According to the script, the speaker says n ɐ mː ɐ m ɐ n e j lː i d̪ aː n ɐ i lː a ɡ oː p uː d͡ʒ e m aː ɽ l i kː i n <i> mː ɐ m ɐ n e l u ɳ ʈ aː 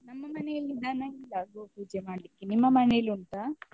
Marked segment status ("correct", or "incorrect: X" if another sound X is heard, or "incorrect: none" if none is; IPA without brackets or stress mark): correct